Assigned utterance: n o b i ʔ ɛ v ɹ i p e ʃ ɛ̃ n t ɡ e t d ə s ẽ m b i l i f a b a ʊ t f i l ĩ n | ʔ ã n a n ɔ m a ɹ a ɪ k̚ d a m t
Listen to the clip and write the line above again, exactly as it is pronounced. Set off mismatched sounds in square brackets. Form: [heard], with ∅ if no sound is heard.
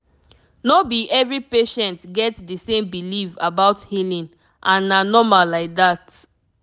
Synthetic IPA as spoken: n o b i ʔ ɛ v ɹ i p e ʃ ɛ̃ n t ɡ [ɛ] t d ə s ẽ m b i l i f a b a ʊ t [h] i l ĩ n | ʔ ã n a n ɔ m a [l] a ɪ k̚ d a [∅] t